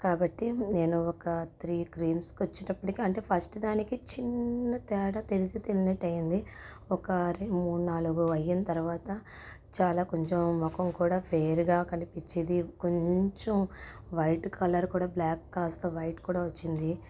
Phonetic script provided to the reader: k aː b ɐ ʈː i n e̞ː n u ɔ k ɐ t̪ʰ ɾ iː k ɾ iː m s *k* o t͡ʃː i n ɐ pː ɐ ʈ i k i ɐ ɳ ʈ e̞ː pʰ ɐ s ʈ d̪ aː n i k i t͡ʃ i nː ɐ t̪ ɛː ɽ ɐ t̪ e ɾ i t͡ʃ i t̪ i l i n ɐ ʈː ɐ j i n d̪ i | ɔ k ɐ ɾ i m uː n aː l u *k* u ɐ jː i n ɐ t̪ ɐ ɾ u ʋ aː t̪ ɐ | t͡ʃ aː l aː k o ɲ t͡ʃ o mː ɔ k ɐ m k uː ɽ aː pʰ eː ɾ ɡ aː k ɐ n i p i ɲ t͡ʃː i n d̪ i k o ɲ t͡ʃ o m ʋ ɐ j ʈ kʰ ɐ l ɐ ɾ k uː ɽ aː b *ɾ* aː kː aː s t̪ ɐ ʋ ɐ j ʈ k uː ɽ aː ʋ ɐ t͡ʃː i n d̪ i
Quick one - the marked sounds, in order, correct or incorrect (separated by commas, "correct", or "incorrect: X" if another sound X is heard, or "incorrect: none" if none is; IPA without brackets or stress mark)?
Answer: correct, incorrect: ɡ, incorrect: l